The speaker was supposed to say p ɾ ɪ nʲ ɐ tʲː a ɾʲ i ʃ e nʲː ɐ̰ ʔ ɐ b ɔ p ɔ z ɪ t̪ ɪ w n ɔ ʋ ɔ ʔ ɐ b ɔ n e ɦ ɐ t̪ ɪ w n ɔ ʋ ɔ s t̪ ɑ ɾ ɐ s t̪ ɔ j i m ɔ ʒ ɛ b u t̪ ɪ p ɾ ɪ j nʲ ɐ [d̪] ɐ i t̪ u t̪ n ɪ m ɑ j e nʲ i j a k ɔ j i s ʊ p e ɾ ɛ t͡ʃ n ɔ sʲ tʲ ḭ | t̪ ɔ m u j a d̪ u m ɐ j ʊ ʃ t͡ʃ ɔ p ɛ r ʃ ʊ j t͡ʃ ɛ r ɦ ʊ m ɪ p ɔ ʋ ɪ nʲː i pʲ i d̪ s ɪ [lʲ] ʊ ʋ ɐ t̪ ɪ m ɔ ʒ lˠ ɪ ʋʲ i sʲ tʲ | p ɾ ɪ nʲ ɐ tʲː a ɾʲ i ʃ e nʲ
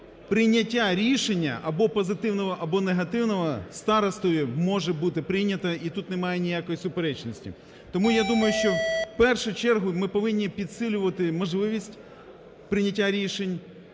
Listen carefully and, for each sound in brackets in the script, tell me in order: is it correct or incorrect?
incorrect: t̪, correct

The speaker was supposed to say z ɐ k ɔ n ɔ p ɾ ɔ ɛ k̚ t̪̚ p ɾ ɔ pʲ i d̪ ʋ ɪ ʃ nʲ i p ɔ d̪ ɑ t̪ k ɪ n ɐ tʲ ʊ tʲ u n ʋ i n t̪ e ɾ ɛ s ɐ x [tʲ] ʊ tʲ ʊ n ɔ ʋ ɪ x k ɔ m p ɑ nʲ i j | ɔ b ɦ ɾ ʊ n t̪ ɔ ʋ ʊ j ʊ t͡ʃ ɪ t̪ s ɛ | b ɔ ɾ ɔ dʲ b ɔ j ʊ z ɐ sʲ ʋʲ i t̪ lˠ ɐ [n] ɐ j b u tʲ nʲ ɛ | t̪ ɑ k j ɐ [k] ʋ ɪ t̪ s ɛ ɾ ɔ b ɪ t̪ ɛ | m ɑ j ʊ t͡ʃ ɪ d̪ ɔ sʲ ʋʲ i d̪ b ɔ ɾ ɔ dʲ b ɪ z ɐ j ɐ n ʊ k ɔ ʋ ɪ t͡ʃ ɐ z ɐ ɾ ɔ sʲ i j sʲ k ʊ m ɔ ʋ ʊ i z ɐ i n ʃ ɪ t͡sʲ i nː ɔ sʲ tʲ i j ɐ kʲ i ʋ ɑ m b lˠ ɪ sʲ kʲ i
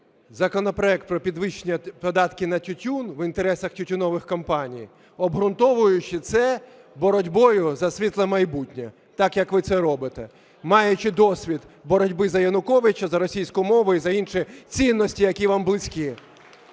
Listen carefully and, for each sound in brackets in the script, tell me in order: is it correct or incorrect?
correct, incorrect: m, correct

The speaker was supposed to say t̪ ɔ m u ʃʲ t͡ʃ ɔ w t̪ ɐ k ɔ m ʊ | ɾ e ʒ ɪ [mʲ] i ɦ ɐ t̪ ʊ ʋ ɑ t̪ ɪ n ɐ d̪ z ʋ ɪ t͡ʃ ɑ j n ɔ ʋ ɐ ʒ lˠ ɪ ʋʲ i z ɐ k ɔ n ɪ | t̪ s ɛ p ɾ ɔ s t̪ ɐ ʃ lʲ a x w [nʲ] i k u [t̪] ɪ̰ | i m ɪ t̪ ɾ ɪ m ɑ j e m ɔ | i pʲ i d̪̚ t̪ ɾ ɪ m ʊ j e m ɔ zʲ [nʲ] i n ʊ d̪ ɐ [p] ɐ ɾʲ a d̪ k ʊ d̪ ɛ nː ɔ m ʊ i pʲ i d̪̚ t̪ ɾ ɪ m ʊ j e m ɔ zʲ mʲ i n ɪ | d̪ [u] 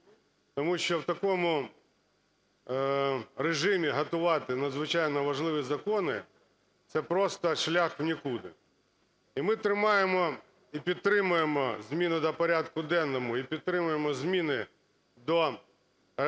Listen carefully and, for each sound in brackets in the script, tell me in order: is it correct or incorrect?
correct, correct, incorrect: d̪, incorrect: mʲ, correct, incorrect: ɔ

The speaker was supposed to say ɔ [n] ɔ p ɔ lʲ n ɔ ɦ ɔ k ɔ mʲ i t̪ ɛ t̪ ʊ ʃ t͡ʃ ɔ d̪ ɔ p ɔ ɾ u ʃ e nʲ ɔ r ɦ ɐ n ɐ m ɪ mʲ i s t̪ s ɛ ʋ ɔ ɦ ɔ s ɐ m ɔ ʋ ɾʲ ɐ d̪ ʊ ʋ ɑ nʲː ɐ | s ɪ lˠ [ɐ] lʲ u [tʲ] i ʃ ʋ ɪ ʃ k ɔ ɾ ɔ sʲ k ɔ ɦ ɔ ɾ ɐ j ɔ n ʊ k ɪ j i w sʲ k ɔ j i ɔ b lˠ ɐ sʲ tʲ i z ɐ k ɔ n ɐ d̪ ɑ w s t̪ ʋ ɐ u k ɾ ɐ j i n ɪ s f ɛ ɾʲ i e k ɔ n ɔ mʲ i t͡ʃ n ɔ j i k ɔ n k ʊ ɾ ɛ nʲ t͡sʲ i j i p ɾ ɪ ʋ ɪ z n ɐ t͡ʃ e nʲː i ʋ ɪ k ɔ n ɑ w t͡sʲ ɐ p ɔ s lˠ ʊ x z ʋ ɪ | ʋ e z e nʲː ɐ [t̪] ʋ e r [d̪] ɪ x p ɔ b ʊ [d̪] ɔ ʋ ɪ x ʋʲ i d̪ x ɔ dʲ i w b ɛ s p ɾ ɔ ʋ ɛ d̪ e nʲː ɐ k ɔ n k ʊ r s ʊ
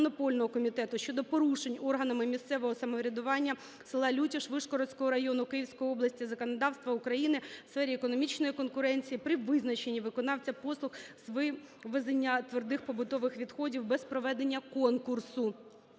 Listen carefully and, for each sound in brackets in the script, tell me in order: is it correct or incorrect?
correct, incorrect: ɑ, correct, correct, correct, incorrect: t̪

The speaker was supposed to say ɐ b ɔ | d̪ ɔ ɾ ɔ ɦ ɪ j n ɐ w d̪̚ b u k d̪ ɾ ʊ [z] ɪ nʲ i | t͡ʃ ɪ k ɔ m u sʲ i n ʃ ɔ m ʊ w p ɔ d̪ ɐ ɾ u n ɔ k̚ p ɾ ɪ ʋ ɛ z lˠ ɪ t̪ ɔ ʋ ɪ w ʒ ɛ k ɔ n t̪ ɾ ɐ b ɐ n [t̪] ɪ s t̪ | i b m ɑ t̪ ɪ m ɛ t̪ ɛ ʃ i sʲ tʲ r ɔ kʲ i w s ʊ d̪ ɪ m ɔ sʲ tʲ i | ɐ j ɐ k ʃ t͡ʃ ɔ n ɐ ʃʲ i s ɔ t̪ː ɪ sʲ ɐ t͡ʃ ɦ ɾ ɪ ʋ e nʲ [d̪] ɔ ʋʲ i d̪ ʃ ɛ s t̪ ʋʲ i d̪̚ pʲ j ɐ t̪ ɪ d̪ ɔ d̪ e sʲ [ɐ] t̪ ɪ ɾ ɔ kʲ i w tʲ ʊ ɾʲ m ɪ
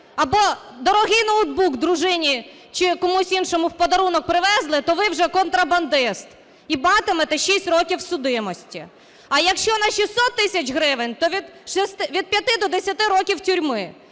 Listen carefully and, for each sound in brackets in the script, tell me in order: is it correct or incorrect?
incorrect: ʒ, incorrect: d̪, incorrect: t̪, correct

